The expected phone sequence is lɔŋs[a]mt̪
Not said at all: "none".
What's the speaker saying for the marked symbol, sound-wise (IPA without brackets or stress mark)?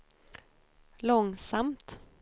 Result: a